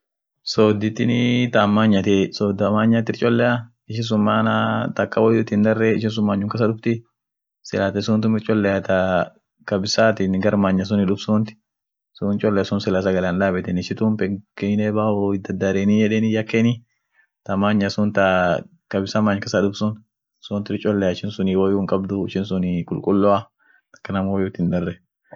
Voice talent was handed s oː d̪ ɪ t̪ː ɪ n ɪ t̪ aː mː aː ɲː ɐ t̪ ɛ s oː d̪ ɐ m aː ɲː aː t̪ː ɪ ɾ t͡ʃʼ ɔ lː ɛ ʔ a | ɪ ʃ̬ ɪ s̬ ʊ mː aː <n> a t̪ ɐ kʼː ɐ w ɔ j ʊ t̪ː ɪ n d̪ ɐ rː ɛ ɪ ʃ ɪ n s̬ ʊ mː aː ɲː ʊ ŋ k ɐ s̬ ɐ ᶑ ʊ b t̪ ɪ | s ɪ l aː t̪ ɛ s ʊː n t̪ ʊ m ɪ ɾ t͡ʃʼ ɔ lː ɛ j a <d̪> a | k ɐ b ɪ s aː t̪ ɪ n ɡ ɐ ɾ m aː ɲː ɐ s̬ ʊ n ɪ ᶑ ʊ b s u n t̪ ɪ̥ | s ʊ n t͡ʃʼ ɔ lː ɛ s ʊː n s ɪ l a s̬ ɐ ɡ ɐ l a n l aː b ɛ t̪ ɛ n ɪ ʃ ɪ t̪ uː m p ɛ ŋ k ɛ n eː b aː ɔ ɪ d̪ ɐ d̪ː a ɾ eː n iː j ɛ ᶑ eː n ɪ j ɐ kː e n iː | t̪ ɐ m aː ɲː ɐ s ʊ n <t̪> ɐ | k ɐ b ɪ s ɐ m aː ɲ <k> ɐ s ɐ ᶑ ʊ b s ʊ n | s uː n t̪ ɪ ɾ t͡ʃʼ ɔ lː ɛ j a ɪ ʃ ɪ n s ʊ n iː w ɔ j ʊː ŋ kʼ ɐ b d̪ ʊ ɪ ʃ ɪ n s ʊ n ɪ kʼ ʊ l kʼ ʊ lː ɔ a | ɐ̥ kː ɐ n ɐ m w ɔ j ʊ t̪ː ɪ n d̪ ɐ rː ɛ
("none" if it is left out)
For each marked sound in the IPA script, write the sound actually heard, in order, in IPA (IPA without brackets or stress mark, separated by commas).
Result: n, t̪, t̪, k